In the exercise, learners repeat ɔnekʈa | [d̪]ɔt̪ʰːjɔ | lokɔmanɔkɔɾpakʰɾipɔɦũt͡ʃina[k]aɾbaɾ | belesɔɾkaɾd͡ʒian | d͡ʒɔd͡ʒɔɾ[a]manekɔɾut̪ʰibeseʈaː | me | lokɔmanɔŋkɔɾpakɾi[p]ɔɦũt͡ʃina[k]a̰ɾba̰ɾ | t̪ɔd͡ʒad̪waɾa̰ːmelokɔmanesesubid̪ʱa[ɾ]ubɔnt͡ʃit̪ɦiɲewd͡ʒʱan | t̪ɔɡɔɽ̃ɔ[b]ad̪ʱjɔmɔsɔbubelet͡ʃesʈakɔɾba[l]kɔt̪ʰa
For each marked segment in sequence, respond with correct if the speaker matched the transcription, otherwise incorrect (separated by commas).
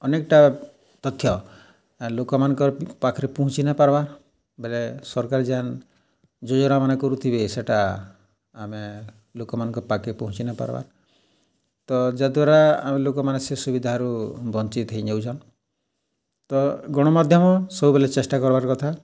incorrect, incorrect, correct, correct, incorrect, correct, incorrect, incorrect